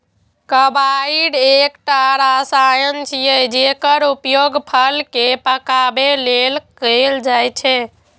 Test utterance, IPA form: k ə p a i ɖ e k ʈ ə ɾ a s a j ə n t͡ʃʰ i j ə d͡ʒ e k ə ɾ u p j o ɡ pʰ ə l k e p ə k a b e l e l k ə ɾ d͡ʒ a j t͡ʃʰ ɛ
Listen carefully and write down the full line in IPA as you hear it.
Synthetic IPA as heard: k ə b a i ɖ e k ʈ a ɾ a s a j ə n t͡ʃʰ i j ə d͡ʒ e k ə ɾ u p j o ɡ pʰ ə l k e p ə k a b e l e l k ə l d͡ʒ a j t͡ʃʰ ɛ